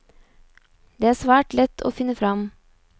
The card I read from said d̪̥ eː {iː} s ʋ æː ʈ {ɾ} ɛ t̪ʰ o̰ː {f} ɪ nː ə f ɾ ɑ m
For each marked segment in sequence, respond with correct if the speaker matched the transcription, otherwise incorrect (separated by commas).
incorrect, incorrect, correct